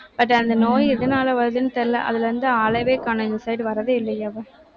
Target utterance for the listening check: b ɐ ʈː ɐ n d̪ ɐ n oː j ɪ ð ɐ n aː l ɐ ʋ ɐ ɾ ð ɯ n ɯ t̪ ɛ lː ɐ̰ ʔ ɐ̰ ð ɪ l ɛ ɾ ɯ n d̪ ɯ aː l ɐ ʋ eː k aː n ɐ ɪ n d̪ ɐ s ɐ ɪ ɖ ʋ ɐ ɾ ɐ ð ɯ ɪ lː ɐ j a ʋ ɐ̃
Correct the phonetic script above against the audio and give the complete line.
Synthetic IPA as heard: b ɐ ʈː ɐ n d̪ ɐ n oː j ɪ ð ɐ n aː l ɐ ʋ ɐ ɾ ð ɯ n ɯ t̪ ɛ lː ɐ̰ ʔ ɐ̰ ð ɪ l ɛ ɾ ɯ n d̪ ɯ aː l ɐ ʋ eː k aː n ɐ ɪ n d̪ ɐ s ɐ ɪ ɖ ʋ ɐ ɾ ɐ ð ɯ ɪ lː ɐ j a ʋ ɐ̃

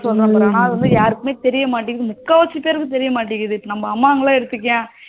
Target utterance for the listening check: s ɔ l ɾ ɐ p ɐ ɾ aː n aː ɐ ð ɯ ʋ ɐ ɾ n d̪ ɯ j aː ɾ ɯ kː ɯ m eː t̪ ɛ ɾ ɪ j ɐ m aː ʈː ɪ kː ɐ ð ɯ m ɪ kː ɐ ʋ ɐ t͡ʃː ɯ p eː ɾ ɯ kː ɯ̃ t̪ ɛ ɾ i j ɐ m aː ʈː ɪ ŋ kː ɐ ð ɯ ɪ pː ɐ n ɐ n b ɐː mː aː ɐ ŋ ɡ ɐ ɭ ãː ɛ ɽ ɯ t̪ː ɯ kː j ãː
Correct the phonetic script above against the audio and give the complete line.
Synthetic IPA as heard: s ɔ l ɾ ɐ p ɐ ɾ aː n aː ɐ ð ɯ ʋ ɐ n d̪ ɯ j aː ɾ ɯ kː ɯ m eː t̪ ɛ ɾ ɪ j ɐ m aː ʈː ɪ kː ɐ ð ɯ m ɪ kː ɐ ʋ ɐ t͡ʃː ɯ p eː ɾ ɯ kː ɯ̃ t̪ ɛ ɾ ɪ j ɐ m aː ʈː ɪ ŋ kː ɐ ð ɯ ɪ pː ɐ n ɐ m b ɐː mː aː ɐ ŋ ɡ ɐ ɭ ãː ɛ ɽ ɯ t̪ː ɯ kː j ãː

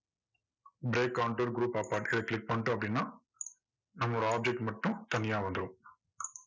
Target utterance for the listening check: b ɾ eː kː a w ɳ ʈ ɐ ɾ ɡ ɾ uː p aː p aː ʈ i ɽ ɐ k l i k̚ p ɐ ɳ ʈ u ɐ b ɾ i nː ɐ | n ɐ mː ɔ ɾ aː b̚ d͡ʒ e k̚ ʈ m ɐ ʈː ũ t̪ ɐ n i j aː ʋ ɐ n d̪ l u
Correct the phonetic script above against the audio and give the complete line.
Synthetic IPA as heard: b ɾ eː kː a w ɳ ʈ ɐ ɾ ɡ ɾ uː p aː p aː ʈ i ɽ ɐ k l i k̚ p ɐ ɳ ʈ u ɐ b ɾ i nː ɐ | n ɐ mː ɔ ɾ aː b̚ d͡ʒ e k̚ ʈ m ɐ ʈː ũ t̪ ɐ n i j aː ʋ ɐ n d̪ ɾ u

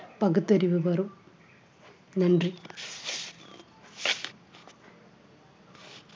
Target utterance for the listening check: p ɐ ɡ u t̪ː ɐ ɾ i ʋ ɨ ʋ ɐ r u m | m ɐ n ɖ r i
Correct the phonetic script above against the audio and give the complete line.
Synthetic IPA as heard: p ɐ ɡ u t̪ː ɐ ɾ i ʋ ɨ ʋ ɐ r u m | n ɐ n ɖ r i

